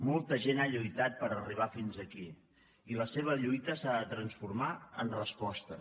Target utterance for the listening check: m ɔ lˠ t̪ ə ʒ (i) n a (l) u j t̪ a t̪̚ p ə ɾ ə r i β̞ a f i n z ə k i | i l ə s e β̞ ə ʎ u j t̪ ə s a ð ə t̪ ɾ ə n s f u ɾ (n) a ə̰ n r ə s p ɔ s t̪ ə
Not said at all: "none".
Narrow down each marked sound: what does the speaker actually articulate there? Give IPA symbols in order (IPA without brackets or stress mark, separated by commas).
e, ʎ, m